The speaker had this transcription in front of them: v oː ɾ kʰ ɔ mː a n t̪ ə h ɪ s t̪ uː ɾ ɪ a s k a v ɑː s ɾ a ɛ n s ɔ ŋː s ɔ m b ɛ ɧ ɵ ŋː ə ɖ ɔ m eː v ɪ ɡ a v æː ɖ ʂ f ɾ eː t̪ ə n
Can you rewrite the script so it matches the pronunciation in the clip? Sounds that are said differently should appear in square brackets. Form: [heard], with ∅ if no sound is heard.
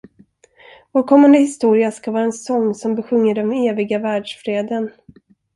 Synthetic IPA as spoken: v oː ɾ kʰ ɔ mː a n [d̪] ə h ɪ s t̪ uː ɾ ɪ a s k a v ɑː [∅] ɾ a ɛ n s ɔ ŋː s ɔ m b ɛ ɧ ɵ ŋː ə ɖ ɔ m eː v ɪ ɡ a v æː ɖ ʂ f ɾ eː [d̪] ə n